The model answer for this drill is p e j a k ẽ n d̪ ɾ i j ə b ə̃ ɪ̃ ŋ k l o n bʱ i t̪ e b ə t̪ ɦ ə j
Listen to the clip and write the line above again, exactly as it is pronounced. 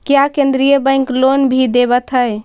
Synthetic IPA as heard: k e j a k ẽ n d̪ ɾ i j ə b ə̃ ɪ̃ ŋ k l o n bʱ i d̪ e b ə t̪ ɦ ə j

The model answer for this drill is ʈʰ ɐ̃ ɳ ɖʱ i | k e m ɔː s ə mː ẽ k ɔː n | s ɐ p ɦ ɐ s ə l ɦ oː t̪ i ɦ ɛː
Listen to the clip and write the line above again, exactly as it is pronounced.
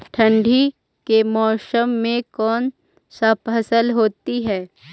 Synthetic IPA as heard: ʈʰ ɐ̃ ɳ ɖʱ i | k e m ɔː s ə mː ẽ k ɔː n | s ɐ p ɦ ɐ s ə l ɦ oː t̪ i ɦ ɛː

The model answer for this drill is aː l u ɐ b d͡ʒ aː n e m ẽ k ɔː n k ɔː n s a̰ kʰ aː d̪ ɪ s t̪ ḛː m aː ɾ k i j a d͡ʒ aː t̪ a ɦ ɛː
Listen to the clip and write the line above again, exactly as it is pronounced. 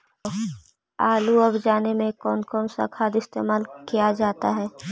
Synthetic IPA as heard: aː l u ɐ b d͡ʒ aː n e m ẽ k ɔː n k ɔː n s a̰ kʰ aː d̪ ɪ s t̪ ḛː m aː l k i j a d͡ʒ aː t̪ a ɦ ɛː

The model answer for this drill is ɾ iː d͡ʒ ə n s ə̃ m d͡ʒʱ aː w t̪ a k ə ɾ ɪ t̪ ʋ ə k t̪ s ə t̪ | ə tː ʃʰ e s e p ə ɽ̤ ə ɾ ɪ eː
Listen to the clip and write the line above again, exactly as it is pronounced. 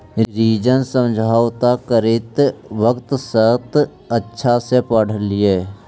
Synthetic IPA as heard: ɾ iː d͡ʒ ə n s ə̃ m d͡ʒʱ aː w t̪ a k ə ɾ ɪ t̪ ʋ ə k t̪ s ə t̪ | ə tː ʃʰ a s e p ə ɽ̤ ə l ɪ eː

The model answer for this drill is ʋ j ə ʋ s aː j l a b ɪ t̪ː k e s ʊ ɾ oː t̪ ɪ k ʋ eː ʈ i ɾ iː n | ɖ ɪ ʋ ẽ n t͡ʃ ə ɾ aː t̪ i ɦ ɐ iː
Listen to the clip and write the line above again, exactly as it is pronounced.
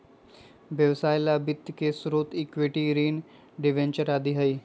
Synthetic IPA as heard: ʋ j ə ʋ s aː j l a b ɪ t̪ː k e s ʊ ɾ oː t̪ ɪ k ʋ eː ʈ i ɾ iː n | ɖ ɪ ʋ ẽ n t͡ʃ ə ɾ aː d̪ i ɦ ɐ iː

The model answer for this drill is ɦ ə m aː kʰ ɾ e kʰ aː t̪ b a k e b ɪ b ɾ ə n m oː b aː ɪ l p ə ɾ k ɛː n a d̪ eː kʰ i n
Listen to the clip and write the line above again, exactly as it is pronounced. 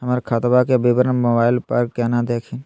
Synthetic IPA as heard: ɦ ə m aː ɾ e kʰ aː t̪ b a k e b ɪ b ɾ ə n m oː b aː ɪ l p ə ɾ k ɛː n a d̪ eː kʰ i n

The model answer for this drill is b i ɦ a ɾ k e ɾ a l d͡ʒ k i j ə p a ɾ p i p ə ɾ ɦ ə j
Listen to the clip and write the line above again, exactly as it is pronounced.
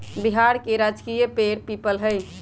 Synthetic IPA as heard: b i ɦ a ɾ k e ɾ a d͡ʒ k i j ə p e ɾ p i p ə l ɦ ə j

